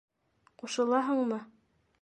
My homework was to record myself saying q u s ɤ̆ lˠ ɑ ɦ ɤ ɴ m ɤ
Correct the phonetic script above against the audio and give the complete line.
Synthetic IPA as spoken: q u ʃ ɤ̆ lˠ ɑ ɦ ɤ ɴ m ɤ